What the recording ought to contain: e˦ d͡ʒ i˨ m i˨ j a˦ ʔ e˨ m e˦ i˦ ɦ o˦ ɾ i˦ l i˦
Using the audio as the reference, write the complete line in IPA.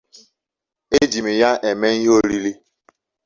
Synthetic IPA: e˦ d͡ʒ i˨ m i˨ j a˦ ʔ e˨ m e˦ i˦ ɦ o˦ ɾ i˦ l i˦